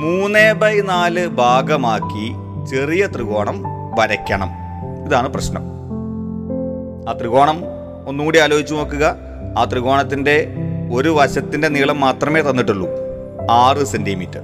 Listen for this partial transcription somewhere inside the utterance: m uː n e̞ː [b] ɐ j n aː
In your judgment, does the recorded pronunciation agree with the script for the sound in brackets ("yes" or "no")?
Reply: yes